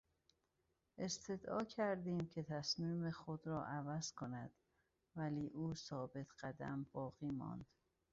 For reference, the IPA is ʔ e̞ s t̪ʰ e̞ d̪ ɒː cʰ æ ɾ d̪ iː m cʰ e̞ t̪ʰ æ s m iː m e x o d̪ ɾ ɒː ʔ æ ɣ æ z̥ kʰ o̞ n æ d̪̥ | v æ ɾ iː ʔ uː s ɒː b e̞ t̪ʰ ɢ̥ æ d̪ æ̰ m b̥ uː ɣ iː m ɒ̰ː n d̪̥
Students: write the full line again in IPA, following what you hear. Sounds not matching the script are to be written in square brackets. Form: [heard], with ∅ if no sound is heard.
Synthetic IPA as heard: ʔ e̞ s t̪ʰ e̞ d̪ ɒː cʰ æ ɾ d̪ iː m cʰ e̞ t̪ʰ æ s m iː m e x o d̪ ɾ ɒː ʔ æ [v] æ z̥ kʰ o̞ n æ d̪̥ | v æ [l] iː ʔ uː s ɒː b e̞ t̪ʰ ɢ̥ æ d̪ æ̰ m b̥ [ɒː] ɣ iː m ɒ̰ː n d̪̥